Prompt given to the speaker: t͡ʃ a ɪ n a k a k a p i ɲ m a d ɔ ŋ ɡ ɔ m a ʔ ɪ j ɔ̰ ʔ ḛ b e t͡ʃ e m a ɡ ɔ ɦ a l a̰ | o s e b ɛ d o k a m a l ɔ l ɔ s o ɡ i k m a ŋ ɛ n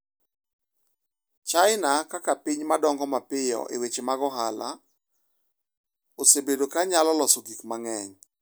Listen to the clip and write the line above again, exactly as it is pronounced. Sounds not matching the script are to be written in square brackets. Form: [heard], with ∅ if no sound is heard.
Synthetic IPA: t͡ʃ a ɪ n a k a k a p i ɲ m a d ɔ ŋ ɡ ɔ m a [p] ɪ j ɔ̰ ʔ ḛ [w] e t͡ʃ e m a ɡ ɔ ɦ a l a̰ | o s e b [e] d o k a [ɲ] a l ɔ l ɔ s o ɡ i k m a ŋ ɛ [ɲ]